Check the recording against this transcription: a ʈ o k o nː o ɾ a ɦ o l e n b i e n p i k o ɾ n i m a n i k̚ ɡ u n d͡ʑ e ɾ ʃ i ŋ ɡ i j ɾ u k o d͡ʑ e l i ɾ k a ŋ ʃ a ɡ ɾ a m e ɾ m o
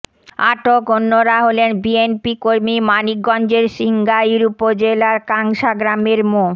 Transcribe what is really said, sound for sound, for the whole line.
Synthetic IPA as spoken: a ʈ o k o nː o ɾ a ɦ o l e n b i e n p i k o ɾ m i m a n i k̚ ɡ ɔ n d͡ʑ e ɾ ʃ i ŋ ɡ a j ɾ u p o d͡ʑ e l a ɾ k a ŋ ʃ a ɡ ɾ a m e ɾ m o